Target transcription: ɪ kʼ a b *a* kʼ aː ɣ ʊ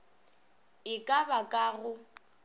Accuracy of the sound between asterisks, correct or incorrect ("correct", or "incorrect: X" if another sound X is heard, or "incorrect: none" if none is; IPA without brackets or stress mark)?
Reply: correct